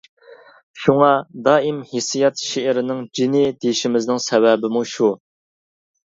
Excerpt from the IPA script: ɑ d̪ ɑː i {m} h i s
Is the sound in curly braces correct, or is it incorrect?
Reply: correct